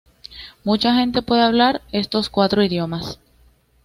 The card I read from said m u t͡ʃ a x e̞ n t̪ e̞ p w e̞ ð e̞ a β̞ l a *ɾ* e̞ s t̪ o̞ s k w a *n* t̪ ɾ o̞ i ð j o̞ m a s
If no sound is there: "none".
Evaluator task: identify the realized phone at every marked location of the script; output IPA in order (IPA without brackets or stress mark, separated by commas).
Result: ɾ, none